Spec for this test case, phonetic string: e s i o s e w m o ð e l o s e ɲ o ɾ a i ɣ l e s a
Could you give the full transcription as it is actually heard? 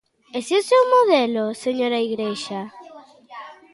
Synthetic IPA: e s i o s e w m o ð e l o s e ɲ o ɾ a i ɣ ɾ e ʃ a